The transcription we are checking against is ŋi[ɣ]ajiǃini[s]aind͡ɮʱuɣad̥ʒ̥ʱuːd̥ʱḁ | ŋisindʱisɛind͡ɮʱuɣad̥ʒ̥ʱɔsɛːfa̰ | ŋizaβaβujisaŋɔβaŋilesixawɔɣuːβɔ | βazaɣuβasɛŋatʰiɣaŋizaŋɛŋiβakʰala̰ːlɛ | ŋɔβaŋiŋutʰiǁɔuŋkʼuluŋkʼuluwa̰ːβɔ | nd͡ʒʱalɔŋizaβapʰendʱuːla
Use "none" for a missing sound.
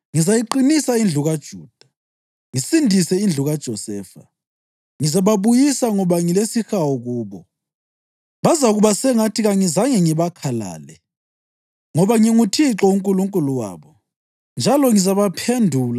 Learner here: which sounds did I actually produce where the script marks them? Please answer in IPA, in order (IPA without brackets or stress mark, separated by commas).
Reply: z, s